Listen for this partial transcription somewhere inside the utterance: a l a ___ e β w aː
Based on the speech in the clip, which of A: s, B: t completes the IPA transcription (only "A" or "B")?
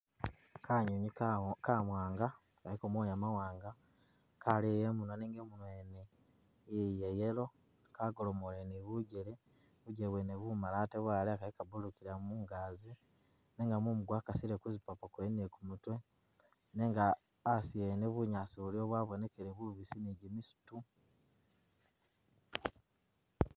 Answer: B